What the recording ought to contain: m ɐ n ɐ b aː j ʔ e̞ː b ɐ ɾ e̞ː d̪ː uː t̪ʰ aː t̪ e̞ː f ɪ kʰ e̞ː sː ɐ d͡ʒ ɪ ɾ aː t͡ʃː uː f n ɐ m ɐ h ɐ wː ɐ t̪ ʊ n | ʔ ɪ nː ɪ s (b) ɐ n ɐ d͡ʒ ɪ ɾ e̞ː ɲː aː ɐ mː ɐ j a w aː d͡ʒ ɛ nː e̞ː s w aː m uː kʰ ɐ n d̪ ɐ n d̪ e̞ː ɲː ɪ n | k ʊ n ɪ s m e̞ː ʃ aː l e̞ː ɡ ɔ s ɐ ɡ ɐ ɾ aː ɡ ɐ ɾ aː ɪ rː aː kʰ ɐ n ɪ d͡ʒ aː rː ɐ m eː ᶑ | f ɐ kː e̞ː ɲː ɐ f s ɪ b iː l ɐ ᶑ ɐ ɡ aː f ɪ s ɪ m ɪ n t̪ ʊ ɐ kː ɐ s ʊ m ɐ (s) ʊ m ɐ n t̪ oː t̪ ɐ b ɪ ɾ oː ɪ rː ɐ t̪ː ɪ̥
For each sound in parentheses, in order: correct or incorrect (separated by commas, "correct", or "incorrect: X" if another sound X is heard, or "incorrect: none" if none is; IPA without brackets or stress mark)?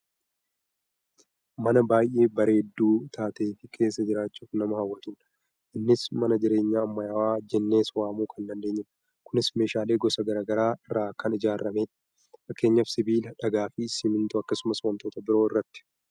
incorrect: m, correct